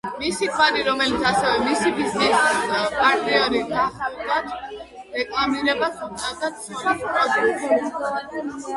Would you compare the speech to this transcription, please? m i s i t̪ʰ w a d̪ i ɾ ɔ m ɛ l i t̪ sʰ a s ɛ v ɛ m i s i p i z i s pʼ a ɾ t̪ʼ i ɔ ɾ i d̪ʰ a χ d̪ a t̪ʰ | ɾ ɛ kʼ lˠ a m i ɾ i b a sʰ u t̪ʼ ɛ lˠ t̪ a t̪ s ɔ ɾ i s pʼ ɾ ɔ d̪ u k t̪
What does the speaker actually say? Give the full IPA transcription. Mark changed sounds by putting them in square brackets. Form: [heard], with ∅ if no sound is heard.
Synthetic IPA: m i s i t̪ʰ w a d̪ i ɾ ɔ m ɛ l i t̪ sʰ a s ɛ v ɛ m i s i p i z i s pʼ a ɾ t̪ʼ i ɔ ɾ i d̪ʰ a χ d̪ a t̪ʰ | ɾ ɛ kʼ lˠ a m i ɾ [ɛ] b a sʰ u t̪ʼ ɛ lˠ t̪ a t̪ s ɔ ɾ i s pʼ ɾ ɔ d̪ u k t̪